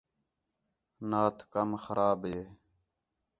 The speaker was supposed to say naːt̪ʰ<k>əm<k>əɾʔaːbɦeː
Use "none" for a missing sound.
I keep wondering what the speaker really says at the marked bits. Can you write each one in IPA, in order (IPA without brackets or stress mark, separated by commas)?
k, x